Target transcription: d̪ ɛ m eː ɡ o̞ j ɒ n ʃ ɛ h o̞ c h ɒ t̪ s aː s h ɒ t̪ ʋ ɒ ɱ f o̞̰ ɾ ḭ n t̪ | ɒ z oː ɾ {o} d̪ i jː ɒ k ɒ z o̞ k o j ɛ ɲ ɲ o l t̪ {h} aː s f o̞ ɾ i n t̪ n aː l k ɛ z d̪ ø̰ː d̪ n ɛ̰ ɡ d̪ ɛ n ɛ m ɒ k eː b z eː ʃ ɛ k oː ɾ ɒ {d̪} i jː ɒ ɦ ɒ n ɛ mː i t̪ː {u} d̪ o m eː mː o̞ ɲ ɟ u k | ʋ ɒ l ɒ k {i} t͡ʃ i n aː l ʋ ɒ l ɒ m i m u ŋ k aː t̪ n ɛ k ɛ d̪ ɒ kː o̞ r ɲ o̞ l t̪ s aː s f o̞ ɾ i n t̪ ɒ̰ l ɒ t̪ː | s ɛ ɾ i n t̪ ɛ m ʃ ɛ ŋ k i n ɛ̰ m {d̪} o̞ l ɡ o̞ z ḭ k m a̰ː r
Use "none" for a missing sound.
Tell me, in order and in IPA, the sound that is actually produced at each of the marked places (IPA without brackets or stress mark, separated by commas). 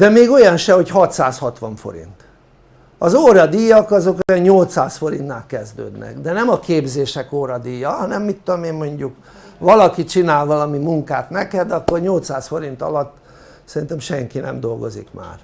ɒ, s, d̪, o, i, d̪